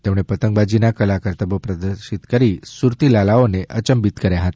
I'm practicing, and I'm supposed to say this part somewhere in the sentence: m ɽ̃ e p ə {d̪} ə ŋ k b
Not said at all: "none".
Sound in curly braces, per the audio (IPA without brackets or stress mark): t̪